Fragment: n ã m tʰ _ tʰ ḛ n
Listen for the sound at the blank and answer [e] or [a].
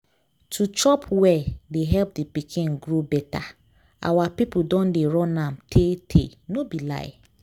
e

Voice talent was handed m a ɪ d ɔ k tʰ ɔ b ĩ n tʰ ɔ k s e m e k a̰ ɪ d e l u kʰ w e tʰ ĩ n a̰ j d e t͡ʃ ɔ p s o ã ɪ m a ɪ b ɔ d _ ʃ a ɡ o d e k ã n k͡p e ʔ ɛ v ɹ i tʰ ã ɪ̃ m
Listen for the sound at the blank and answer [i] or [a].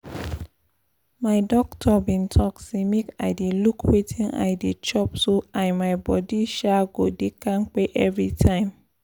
i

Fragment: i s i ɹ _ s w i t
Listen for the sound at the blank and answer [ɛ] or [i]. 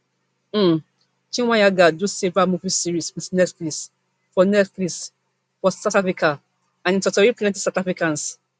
i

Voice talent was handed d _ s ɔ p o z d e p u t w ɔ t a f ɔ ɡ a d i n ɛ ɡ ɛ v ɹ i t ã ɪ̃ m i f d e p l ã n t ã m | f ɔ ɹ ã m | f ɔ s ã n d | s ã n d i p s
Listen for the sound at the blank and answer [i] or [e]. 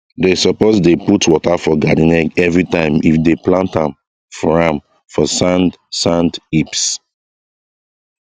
e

